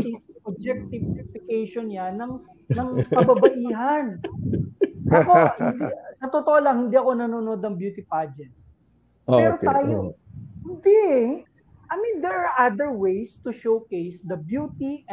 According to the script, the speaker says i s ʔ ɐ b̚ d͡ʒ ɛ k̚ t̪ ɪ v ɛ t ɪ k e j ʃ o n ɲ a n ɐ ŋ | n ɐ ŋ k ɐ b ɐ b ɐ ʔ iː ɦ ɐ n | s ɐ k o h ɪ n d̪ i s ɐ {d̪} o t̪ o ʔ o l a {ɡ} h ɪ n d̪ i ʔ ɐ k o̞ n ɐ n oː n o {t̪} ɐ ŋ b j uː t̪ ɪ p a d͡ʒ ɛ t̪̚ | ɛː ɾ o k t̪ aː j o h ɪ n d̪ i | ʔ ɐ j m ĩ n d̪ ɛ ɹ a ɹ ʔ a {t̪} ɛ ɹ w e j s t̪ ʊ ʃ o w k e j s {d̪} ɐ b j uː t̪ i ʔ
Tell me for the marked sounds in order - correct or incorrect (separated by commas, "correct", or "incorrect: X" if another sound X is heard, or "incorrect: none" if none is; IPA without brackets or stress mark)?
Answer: incorrect: t̪, incorrect: ŋ, incorrect: d̪, incorrect: d̪, correct